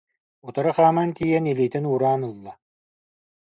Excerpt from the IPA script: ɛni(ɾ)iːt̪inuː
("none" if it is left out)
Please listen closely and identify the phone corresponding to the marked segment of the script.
l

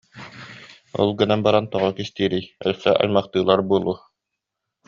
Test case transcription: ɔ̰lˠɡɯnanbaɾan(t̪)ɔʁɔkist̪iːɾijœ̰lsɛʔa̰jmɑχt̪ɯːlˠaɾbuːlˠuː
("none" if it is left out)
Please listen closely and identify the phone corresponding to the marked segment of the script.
t̪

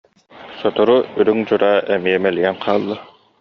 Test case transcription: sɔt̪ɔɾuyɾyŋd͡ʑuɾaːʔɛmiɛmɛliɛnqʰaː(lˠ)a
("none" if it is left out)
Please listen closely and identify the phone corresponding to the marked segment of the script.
lˠː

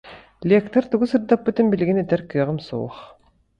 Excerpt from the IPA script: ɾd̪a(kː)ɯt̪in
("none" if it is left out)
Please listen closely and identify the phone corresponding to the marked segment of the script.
pː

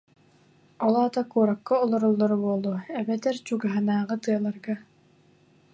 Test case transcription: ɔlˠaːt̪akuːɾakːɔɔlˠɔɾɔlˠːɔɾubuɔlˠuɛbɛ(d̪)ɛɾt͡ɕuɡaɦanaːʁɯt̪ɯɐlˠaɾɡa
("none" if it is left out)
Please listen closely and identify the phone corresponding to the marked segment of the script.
t̪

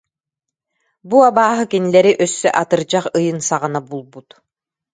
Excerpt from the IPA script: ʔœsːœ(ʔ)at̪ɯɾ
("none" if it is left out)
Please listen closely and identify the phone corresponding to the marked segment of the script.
ʔ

